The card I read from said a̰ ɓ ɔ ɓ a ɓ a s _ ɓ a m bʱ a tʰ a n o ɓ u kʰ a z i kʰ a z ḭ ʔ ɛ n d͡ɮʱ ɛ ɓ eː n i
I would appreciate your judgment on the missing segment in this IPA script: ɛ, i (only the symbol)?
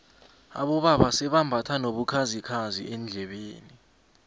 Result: ɛ